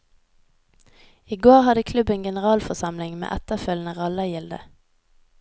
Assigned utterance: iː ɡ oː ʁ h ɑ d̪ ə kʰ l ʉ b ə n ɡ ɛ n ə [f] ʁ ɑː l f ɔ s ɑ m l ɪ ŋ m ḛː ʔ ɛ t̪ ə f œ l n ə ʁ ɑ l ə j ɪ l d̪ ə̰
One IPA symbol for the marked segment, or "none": none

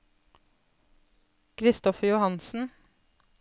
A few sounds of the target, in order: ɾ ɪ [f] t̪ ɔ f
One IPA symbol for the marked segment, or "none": s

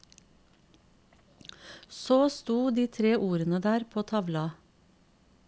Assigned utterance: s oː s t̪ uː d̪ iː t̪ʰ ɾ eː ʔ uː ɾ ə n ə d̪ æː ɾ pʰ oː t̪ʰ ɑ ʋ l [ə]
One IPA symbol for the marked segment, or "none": ɑ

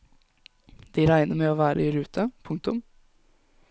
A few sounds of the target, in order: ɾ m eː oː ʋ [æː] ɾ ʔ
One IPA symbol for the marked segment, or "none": æː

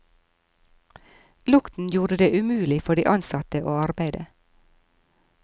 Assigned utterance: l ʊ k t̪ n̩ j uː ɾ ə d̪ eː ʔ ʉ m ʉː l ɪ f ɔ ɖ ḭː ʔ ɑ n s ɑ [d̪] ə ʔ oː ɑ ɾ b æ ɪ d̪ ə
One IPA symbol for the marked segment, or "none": t̪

